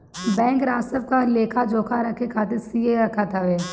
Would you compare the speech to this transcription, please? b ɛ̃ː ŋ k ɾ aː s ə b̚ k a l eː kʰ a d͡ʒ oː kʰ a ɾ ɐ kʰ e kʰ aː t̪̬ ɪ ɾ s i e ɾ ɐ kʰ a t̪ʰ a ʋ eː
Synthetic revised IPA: b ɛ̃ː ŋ k ɾ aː s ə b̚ k a l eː kʰ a d͡ʒ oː kʰ a ɾ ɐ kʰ e kʰ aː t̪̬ ɪ ɾ s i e ɾ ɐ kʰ a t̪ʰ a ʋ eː